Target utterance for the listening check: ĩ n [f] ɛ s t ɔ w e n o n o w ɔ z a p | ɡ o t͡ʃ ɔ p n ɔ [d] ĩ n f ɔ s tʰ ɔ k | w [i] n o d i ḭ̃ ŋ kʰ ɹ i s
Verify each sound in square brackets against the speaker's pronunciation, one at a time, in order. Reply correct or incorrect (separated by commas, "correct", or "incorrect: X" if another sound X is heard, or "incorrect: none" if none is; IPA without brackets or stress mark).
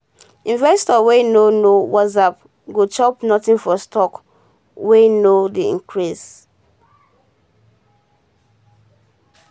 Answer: incorrect: v, incorrect: t, incorrect: e